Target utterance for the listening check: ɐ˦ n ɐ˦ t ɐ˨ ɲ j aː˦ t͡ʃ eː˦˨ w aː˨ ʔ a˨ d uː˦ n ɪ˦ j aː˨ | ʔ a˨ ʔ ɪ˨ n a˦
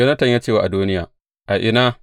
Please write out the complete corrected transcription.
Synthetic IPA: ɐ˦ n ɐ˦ t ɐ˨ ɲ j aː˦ t͡ʃ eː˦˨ w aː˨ ʔ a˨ d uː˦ n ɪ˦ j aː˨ | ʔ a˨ ʔ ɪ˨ n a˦

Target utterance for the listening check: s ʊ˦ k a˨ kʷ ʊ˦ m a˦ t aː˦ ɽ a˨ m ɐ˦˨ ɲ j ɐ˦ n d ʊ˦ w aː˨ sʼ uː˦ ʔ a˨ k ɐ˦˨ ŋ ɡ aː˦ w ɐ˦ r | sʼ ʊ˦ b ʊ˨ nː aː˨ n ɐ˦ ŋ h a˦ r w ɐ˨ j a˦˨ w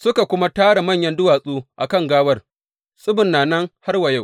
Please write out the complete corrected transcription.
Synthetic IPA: s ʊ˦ k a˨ kʷ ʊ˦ m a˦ t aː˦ ɽ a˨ m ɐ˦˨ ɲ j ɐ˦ n d ʊ˦ w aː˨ sʼ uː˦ ʔ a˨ k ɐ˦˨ ŋ ɡ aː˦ w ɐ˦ r | sʼ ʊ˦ b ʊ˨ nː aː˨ n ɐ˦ ŋ h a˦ r w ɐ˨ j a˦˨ w

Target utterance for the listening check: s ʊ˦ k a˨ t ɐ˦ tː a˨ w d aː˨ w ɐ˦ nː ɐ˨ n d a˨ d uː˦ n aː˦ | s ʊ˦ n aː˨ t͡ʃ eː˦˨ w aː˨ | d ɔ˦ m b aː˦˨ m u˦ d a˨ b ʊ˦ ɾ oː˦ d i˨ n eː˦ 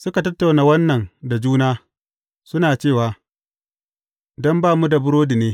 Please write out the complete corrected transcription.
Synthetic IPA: s ʊ˦ k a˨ t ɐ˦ tː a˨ w n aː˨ w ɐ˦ nː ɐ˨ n d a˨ d͡ʒ uː˦ n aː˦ | s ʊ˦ n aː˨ t͡ʃ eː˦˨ w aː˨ | d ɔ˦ m b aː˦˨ m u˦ d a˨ b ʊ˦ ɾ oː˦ d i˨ n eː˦

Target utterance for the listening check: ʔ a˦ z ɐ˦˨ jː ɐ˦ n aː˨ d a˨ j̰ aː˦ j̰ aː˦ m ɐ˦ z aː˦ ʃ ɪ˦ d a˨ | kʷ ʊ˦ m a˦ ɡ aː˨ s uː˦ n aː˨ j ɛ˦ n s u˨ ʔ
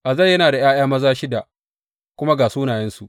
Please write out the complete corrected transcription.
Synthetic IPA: ʔ a˨ z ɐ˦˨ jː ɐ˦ n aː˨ d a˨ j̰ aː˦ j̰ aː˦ m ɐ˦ z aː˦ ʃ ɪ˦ d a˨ | kʷ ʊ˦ m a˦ ɡ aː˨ s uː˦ n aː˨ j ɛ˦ n s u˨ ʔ

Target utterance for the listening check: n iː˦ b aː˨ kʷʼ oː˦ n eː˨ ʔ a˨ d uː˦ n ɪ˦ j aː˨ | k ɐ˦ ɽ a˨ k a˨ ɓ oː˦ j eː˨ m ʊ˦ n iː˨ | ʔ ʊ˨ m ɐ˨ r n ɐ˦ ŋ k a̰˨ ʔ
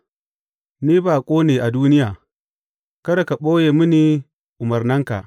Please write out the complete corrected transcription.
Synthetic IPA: n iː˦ b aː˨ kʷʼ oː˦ n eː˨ ʔ a˨ d uː˦ n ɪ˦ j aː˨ | k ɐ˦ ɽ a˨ k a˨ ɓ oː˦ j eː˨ m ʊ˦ n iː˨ | ʔ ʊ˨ m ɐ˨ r n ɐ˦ ŋ k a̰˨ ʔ

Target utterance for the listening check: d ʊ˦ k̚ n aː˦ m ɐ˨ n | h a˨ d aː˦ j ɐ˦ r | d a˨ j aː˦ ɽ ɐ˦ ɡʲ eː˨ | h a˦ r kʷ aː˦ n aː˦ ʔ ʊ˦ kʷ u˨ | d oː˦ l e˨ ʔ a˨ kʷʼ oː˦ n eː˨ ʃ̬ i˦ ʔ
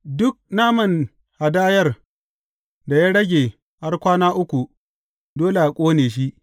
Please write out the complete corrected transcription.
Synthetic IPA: d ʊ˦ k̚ n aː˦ m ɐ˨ n | h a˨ d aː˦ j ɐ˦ r | d a˨ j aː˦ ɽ ɐ˦ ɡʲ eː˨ | h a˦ r kʷ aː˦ n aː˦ ʔ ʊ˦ kʷ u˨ | d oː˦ l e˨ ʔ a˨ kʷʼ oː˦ n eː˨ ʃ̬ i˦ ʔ

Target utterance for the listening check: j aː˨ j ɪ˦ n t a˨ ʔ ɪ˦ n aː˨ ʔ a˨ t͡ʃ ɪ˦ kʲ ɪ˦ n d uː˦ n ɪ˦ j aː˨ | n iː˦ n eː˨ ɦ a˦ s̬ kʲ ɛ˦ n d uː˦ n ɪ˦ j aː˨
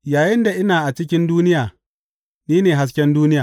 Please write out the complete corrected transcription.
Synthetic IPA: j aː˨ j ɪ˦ n d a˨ ʔ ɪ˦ n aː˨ ʔ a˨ t͡ʃ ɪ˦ kʲ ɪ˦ n d uː˦ n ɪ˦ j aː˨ | n iː˦ n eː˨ ɦ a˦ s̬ kʲ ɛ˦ n d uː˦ n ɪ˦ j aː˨

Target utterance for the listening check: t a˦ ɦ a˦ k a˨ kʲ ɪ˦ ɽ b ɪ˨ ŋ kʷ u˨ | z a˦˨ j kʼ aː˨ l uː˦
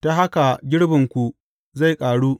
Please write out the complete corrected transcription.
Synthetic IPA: t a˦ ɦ a˦ k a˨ ɡʲ ɪ˦ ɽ b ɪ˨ ŋ kʷ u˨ | z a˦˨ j kʼ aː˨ ɽ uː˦

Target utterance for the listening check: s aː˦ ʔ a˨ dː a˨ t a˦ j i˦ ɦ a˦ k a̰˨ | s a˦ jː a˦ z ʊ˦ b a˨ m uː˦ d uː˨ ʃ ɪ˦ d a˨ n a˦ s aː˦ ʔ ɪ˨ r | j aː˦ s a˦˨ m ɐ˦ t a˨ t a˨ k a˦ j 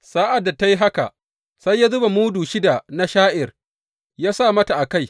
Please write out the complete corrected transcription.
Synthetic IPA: s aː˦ ʔ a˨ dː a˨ t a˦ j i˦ ɦ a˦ k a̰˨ | s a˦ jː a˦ z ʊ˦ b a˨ m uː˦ d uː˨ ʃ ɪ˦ d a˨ n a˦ ʃ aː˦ ʔ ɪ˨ r | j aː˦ s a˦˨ m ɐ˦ t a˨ ʔ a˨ k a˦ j

